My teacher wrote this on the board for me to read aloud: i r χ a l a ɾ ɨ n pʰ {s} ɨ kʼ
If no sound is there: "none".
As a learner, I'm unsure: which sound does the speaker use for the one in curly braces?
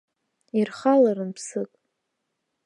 s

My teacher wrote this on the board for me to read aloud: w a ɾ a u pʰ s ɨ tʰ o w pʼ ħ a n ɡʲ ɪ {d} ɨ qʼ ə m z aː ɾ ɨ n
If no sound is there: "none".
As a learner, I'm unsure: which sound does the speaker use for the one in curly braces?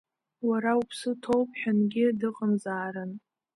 d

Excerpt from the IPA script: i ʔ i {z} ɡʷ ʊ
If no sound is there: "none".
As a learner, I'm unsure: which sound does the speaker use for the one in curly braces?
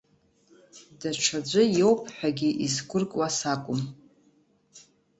z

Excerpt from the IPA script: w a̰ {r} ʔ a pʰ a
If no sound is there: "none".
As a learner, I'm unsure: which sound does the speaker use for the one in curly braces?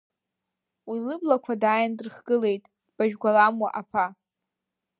none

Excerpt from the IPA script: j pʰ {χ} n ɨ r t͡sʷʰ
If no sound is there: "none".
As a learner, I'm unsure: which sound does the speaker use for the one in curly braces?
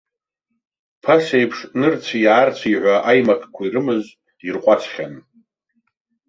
ʂ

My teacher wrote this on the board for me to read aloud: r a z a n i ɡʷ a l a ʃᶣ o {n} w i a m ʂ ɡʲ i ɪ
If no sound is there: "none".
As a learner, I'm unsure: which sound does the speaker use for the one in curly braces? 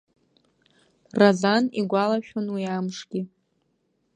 n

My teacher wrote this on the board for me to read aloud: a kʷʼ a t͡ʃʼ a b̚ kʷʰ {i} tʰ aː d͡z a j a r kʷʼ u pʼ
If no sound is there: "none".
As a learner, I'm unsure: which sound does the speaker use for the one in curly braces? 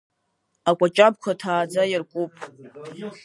a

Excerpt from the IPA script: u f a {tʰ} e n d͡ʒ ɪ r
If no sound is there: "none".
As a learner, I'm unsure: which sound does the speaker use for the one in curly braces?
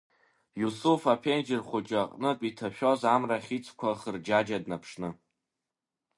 pʰ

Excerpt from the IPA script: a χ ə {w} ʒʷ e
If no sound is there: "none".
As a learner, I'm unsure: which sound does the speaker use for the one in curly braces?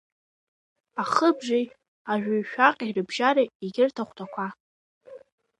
b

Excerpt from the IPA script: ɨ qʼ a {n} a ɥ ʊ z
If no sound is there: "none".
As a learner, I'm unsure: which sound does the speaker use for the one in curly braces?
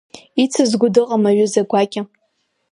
m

